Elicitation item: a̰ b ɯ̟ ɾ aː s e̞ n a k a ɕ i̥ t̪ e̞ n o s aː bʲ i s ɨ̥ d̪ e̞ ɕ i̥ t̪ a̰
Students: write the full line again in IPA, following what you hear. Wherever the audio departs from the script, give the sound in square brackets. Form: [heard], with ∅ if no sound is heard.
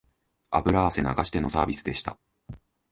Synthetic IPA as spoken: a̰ b ɯ̟ ɾ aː s e̞ n a [ɡ] a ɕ i̥ t̪ e̞ n o s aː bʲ i s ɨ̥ d̪ e̞ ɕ i̥ t̪ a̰

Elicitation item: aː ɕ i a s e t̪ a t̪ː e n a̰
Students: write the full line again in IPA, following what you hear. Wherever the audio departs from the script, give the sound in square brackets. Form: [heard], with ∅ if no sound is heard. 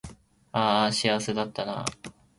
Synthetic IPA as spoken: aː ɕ i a s e [d̪] a t̪ː [a] n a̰

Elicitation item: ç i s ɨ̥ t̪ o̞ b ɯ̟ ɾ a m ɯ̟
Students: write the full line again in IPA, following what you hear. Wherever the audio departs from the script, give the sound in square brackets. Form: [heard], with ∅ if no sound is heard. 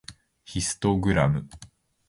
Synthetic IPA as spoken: ç i s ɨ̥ t̪ o̞ [ɡ] ɯ̟ ɾ a m ɯ̟

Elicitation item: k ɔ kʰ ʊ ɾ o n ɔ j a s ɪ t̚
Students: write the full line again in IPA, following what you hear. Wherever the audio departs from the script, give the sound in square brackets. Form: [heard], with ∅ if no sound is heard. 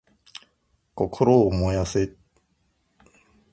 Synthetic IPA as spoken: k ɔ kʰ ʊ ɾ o [m] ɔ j a s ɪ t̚

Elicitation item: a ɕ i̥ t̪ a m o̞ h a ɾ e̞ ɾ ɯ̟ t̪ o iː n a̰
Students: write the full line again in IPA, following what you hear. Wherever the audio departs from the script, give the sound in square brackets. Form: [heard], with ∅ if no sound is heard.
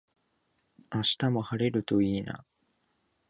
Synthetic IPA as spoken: a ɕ i̥ t̪ a m o̞ h a ɾ e̞ ɾ ɯ̟ t̪ o iː n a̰

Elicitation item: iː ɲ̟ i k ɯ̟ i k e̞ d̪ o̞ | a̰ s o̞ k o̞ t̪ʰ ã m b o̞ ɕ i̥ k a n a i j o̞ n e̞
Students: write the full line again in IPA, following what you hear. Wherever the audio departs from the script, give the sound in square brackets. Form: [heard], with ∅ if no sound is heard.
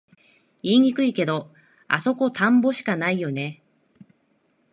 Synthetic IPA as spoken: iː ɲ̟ i k ɯ̟ i k e̞ d̪ o̞ | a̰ s o̞ k o̞ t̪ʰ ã m b o̞ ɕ i̥ k a n a i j o̞ n e̞

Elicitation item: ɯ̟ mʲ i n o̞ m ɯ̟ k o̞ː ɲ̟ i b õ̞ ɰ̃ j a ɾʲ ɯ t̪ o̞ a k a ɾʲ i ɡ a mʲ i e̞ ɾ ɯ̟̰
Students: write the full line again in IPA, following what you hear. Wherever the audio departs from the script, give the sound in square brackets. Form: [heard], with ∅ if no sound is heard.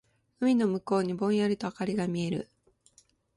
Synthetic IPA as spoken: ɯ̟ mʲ i n o̞ m ɯ̟ k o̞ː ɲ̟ i b õ̞ ɰ̃ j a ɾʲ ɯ t̪ o̞ a k a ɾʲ i ɡ a mʲ i e̞ ɾ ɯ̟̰

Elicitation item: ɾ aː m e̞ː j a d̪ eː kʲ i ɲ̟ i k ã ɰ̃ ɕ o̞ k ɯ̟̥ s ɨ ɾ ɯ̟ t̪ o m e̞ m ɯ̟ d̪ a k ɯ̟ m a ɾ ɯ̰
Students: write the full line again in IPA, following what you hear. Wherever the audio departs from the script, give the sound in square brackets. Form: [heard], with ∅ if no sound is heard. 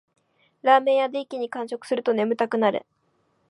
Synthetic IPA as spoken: ɾ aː m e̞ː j a d̪ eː kʲ i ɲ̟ i k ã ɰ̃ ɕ o̞ k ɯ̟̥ s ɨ ɾ ɯ̟ t̪ o [n] e̞ m ɯ̟ [t̪] a k ɯ̟ [n] a ɾ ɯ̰

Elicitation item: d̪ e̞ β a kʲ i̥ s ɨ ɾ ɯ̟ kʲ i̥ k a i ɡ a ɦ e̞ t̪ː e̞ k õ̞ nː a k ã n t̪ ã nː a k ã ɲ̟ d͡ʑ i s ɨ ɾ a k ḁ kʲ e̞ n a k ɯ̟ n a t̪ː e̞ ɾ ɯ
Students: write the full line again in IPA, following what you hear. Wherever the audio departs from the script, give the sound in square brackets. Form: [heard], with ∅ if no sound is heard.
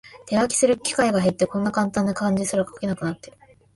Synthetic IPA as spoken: [t̪] e̞ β a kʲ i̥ s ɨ ɾ ɯ̟ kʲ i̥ k a i ɡ a ɦ e̞ t̪ː e̞ k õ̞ nː a k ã n t̪ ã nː a k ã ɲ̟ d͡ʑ i s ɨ ɾ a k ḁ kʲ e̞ n a k ɯ̟ n a t̪ː e̞ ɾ ɯ

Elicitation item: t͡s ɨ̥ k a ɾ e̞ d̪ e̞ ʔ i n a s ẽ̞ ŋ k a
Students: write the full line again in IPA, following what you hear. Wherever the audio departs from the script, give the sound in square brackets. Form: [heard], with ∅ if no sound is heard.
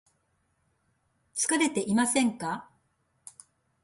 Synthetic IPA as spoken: t͡s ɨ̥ k a ɾ e̞ [t̪] e̞ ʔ i [m] a s ẽ̞ ŋ k a

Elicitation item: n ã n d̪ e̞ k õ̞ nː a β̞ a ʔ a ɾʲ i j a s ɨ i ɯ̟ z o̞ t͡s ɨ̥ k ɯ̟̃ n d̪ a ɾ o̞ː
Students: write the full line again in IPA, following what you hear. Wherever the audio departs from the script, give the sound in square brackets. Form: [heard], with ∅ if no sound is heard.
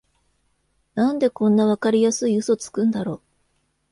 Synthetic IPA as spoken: n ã n d̪ e̞ k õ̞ nː a β̞ a [k] a ɾʲ i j a s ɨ i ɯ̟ [s] o̞ t͡s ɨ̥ k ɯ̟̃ n d̪ a ɾ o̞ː

